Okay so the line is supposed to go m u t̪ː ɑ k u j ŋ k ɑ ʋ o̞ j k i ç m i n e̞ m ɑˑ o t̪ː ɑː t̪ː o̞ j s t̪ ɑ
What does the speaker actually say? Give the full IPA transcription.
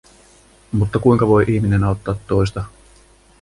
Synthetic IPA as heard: m u t̪ː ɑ k u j ŋ k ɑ ʋ o̞ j ʔ i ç m i n e̞ n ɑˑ o t̪ː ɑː t̪ː o̞ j s t̪ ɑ